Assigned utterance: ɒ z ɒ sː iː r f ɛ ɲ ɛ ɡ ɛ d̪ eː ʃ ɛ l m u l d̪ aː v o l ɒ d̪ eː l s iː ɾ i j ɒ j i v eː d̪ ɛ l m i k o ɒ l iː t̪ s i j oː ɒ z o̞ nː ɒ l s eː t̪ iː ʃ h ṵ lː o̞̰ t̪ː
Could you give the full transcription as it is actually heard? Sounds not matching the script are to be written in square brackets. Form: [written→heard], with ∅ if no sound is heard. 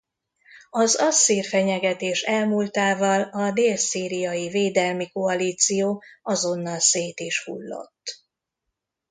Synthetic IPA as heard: ɒ z ɒ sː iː r f ɛ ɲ ɛ ɡ ɛ [d̪→t̪] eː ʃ ɛ l m u l [d̪→t̪] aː v [o→ɒ] l ɒ d̪ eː l s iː ɾ i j ɒ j i v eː d̪ ɛ l m i k o ɒ l iː t̪ s i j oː ɒ z o̞ nː ɒ l s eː t̪ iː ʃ h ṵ lː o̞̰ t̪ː

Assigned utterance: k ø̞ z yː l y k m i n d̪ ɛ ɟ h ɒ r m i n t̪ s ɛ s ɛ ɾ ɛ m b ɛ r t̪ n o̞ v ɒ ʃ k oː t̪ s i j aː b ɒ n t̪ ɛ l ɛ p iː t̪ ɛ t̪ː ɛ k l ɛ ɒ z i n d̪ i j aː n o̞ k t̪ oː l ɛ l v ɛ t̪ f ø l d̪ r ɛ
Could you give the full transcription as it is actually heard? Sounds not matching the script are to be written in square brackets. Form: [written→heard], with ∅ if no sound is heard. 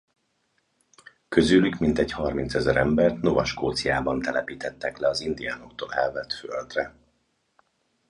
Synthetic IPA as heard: k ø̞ z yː l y k m i n [d̪→t̪] ɛ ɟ h ɒ r m i n t̪ s ɛ [s→z] ɛ ɾ ɛ m b ɛ r t̪ n o̞ v ɒ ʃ k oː t̪ s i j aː b ɒ n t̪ ɛ l ɛ p iː t̪ ɛ t̪ː ɛ k l ɛ ɒ z i n d̪ i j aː n o̞ k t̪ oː l ɛ l v ɛ t̪ f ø l d̪ r ɛ

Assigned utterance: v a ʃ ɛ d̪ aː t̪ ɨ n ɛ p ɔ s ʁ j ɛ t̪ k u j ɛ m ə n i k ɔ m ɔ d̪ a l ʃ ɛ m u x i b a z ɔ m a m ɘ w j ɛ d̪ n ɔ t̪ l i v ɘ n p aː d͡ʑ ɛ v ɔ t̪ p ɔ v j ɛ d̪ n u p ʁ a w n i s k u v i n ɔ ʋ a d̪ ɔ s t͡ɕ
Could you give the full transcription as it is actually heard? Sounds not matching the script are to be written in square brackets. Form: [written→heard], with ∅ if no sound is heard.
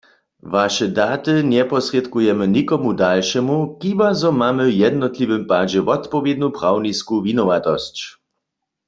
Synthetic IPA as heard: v a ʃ ɛ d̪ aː t̪ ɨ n ɛ p ɔ s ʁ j ɛ t̪ k u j ɛ m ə n i k ɔ m [ɔ→u] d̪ a l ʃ ɛ m u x i b a z ɔ m a m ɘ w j ɛ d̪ n ɔ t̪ l i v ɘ [n→m] p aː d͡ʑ ɛ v ɔ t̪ p ɔ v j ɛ d̪ n u p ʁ a w n i s k u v i n ɔ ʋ a [d̪→t̪] ɔ s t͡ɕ

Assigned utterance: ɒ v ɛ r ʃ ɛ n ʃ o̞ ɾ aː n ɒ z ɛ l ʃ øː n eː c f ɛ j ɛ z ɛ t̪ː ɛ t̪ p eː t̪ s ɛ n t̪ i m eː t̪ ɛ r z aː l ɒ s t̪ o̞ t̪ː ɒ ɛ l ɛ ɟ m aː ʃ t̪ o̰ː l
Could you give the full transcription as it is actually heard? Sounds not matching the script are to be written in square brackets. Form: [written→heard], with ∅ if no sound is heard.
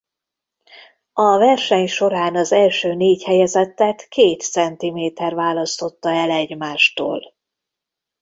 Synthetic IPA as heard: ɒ v ɛ r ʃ ɛ [n→ɲ] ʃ o̞ ɾ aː n ɒ z ɛ l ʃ øː n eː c [f→h] ɛ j ɛ z ɛ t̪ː ɛ t̪ [p→k] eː t̪ s ɛ n t̪ i m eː t̪ ɛ r [z→v] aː l ɒ s t̪ o̞ t̪ː ɒ ɛ l ɛ ɟ m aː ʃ t̪ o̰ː l

